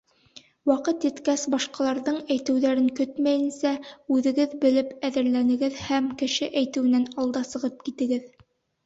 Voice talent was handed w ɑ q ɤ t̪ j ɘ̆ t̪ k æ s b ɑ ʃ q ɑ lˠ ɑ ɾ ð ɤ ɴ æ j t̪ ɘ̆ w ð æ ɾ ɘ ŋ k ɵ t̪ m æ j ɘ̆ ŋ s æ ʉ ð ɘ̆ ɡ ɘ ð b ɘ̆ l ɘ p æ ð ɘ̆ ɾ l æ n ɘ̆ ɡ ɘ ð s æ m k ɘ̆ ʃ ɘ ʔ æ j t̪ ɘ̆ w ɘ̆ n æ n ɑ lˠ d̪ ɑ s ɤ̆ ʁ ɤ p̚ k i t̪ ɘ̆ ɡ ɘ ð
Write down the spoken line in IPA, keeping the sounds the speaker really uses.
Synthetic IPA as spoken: w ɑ q ɤ t̪ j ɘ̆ t̪ k æ s b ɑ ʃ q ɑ lˠ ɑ ɾ ð ɤ ɴ æ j t̪ ɘ̆ w ð æ ɾ ɘ ŋ k ɵ t̪ m æ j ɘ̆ n s æ ʉ ð ɘ̆ ɡ ɘ ð b ɘ̆ l ɘ p æ ð ɘ̆ ɾ l æ n ɘ̆ ɡ ɘ ð h æ m k ɘ̆ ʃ ɘ ʔ æ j t̪ ɘ̆ w ɘ̆ n æ n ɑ lˠ d̪ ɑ s ɤ̆ ʁ ɤ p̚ k i t̪ ɘ̆ ɡ ɘ ð